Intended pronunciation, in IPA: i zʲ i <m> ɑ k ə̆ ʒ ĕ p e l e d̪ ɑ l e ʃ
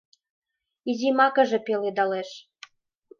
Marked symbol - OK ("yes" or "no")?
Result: yes